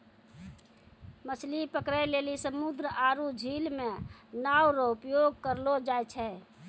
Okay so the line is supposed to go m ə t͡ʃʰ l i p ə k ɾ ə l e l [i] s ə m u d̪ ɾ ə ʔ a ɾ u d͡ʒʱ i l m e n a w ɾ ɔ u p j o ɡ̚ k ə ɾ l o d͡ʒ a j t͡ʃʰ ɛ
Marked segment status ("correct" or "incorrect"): correct